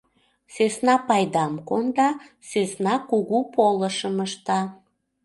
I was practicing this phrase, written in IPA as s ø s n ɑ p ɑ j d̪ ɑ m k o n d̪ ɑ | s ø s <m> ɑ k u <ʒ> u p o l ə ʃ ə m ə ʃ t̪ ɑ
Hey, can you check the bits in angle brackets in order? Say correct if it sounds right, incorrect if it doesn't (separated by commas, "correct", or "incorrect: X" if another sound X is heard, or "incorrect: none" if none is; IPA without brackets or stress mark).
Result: incorrect: n, incorrect: ɣ